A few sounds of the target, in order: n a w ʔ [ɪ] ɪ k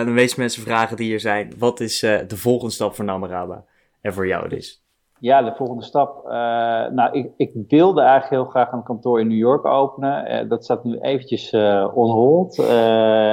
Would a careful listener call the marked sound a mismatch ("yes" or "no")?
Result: no